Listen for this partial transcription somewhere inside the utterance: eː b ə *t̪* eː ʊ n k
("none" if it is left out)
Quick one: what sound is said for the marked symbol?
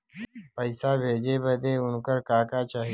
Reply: d̪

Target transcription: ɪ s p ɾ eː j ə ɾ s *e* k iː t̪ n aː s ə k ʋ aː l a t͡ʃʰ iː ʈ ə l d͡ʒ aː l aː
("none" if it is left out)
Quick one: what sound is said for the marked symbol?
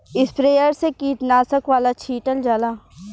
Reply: e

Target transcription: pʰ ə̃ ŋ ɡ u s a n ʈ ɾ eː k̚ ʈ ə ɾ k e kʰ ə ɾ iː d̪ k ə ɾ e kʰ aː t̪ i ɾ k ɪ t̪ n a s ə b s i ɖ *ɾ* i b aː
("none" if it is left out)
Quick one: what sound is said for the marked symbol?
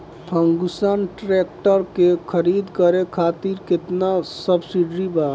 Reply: ɾ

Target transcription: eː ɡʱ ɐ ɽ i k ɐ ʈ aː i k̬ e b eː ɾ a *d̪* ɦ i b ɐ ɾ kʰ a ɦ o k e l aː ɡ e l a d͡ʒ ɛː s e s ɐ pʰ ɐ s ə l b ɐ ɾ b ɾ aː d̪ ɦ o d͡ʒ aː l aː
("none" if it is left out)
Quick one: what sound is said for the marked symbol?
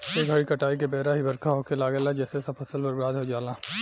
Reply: none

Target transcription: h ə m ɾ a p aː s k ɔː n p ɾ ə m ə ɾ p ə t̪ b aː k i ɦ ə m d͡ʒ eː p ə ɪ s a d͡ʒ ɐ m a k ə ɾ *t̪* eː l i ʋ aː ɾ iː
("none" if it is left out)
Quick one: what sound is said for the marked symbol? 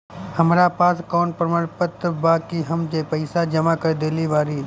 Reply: d̪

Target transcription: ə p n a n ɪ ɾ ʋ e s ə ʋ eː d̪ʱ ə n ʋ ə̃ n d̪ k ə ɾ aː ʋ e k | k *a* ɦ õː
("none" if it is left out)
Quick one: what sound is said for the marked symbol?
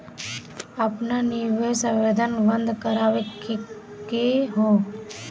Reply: e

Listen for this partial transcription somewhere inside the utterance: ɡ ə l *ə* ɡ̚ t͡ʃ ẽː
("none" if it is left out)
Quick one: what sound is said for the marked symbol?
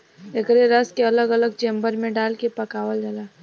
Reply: ə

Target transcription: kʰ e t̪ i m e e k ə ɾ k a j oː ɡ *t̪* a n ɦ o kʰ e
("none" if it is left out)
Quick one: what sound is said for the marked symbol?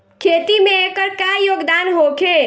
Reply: d̪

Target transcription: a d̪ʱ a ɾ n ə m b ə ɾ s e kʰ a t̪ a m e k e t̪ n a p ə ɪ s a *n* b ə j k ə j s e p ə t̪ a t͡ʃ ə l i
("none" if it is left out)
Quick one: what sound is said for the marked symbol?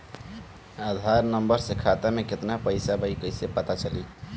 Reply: none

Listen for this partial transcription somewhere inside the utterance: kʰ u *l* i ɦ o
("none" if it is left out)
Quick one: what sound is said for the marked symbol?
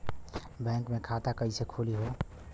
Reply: l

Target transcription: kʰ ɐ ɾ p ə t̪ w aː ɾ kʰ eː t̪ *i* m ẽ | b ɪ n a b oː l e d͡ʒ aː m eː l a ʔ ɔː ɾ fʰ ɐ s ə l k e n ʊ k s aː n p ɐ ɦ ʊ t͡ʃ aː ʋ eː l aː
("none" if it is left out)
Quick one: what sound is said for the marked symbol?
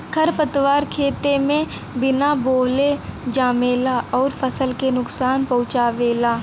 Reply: e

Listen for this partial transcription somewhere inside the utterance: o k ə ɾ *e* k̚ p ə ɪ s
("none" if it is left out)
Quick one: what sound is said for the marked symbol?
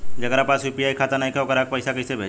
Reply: a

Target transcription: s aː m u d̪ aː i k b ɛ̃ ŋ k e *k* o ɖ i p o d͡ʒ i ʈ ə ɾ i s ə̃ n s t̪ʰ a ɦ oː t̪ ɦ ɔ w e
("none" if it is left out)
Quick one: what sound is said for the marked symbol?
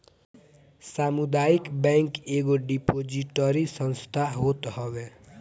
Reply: ɡ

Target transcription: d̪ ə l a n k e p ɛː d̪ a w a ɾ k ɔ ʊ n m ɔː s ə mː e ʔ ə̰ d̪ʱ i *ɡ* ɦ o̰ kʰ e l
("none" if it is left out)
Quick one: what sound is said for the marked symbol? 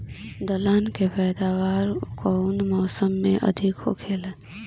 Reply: k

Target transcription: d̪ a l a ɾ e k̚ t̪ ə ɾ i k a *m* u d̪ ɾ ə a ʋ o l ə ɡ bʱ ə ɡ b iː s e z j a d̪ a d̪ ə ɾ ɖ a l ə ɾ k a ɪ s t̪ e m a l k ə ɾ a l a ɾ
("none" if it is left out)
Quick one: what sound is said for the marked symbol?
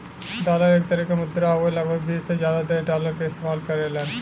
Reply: m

